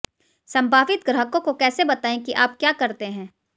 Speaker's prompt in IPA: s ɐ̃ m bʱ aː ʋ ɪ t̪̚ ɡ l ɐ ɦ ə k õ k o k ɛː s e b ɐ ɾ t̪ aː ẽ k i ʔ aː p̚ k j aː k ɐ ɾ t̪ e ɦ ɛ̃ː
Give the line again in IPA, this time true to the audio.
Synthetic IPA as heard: s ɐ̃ m bʱ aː ʋ ɪ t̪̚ ɡ ɾ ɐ ɦ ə k õ k o k ɛː s e b ɐ t̪ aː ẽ k i ʔ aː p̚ k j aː k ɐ ɾ t̪ e ɦ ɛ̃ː